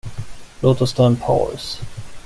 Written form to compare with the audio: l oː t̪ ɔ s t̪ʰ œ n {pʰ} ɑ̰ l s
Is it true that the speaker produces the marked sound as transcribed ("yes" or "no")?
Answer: yes